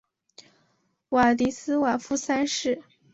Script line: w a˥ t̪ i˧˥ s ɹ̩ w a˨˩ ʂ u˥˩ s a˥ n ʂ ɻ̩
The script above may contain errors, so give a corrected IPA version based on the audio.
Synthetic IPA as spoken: w a˨˩ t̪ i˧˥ s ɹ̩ w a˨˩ f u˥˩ s a˥ n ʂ ɻ̩

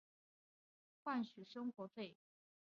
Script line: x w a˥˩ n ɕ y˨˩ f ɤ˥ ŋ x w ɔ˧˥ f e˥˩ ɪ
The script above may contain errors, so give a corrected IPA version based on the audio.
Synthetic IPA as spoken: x w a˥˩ n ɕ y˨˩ ʂ ɤ˥ ŋ x w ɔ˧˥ f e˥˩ ɪ

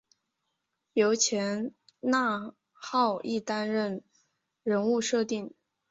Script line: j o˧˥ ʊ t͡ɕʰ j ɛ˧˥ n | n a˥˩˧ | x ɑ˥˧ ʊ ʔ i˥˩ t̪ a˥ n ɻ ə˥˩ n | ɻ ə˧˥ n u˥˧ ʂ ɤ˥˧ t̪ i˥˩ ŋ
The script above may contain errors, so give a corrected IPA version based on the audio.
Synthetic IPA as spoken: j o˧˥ ʊ t͡ɕʰ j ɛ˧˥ n | n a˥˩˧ | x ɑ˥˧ ʊ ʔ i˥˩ t̪ a˥ n ɻ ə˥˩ n | ɻ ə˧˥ n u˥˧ ʂ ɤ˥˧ t̪ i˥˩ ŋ

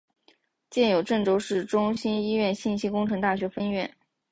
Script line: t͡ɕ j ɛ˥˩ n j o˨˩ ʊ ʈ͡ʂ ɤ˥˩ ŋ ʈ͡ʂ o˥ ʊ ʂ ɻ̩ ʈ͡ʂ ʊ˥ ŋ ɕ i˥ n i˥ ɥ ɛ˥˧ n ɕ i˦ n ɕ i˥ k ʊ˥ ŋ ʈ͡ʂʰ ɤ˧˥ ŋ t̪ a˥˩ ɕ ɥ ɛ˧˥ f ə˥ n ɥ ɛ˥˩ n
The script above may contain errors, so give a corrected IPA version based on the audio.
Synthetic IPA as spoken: t͡ɕ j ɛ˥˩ n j o˨˩ ʊ ʈ͡ʂ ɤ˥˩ ŋ ʈ͡ʂ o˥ ʊ ʂ ɻ̩ ʈ͡ʂ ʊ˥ ŋ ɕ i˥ n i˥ ɥ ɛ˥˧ n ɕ i˥˩ n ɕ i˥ k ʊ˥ ŋ ʈ͡ʂʰ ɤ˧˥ ŋ t̪ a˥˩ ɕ ɥ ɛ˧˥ f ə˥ n ɥ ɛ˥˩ n

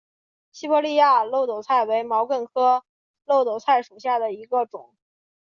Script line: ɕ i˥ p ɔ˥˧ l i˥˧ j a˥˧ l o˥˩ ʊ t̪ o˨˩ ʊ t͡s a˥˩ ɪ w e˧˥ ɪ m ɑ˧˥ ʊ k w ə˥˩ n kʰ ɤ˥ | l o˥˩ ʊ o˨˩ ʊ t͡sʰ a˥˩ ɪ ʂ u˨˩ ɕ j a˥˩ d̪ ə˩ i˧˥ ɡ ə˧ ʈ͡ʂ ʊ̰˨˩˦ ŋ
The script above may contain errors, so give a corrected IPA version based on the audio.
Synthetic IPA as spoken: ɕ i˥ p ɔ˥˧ l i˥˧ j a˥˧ l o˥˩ ʊ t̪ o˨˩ ʊ t͡sʰ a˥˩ ɪ w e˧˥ ɪ m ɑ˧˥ ʊ k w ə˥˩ n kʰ ɤ˥ | l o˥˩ ʊ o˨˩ ʊ t͡sʰ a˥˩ ɪ ʂ u˨˩ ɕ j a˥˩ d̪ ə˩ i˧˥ ɡ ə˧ ʈ͡ʂ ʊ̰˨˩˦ ŋ

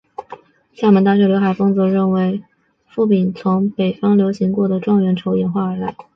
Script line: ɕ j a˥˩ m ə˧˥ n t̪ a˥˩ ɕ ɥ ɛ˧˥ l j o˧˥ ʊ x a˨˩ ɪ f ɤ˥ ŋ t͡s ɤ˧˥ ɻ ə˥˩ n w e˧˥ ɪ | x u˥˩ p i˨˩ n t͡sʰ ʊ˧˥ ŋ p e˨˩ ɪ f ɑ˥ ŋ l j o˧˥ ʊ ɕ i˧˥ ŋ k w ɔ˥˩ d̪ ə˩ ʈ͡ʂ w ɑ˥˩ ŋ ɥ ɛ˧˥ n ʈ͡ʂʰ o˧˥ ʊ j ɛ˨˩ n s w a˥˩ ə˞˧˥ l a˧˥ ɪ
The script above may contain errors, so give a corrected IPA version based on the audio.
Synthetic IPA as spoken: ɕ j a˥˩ m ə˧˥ n t̪ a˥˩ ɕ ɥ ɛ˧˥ l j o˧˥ ʊ x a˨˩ ɪ f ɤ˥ ŋ t͡s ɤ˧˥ ɻ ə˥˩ n w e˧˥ ɪ | f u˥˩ p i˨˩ n t͡sʰ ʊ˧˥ ŋ p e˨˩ ɪ f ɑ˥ ŋ l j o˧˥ ʊ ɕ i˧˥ ŋ k w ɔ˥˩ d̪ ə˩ ʈ͡ʂ w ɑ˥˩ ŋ ɥ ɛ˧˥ n ʈ͡ʂʰ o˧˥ ʊ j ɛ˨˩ n x w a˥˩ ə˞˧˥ l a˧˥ ɪ

